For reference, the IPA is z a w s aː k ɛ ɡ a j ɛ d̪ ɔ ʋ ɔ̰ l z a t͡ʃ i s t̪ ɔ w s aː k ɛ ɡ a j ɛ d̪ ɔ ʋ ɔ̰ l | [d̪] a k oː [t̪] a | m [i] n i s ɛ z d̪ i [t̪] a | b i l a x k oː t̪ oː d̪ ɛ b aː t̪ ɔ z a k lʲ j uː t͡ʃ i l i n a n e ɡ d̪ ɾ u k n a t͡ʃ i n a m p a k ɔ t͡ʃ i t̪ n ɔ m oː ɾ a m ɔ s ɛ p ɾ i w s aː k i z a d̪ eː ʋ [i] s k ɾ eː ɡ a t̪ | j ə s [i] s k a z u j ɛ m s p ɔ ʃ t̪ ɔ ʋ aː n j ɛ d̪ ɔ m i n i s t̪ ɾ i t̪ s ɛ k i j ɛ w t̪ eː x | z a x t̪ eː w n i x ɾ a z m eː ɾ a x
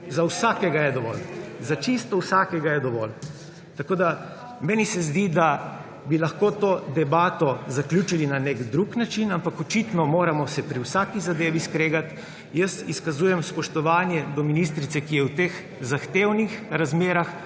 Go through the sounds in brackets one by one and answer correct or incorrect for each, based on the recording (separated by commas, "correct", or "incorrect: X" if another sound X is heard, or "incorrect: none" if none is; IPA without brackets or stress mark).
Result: incorrect: t̪, incorrect: d̪, incorrect: ɛ, incorrect: d̪, correct, correct